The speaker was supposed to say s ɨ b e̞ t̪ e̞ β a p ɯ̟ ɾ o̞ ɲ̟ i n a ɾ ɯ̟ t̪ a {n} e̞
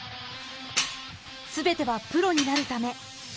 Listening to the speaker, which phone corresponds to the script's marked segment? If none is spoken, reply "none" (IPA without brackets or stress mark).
m